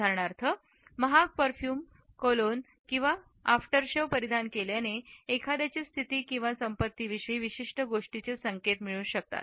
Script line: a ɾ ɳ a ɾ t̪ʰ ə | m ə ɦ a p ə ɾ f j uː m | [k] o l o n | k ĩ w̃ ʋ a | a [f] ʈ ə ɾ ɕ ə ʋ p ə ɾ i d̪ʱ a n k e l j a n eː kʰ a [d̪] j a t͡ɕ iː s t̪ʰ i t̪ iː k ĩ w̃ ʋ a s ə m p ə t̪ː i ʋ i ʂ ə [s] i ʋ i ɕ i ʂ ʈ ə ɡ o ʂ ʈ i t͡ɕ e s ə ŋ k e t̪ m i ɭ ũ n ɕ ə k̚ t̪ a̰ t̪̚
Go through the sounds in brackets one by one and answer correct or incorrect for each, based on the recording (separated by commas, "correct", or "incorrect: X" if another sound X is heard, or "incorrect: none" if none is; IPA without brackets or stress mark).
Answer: correct, correct, correct, incorrect: none